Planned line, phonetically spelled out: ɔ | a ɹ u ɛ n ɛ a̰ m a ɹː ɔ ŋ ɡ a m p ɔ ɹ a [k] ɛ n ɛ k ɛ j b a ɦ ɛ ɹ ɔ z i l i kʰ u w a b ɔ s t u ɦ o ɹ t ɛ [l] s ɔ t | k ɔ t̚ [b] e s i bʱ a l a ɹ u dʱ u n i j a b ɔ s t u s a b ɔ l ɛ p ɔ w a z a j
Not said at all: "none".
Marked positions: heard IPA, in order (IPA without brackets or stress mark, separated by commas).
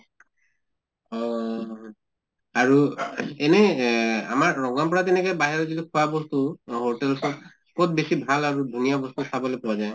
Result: t, l, b